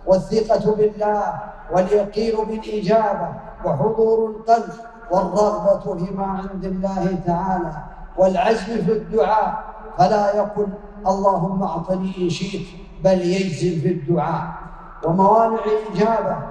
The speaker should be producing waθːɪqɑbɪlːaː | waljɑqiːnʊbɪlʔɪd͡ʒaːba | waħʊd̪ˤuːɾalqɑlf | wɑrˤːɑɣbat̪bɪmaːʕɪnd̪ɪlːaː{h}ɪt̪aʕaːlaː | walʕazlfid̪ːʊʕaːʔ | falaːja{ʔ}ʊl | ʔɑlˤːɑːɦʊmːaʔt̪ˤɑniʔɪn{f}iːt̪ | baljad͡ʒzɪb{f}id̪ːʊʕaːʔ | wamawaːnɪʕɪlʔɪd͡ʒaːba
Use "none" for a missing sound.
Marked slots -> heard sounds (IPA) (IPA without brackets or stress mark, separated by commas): h, q, ʃ, f